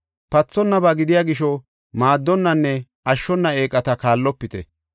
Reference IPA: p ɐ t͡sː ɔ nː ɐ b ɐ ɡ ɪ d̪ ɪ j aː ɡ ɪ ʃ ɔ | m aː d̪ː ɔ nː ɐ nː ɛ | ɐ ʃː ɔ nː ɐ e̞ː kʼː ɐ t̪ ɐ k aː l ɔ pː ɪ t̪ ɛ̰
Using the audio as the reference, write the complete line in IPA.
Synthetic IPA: p ɐ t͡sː ɔ nː ɐ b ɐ ɡ ɪ d̪ ɪ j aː ɡ ɪ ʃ ɔ | m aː d̪ː ɔ nː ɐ nː ɛ | ɐ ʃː ɔ nː ɐ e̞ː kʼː ɐ t̪ ɐ k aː lː ɔ pː ɪ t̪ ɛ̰